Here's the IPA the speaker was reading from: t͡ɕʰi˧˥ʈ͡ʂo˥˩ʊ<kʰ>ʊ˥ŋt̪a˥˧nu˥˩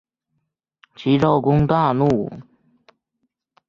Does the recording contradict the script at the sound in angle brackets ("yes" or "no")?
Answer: yes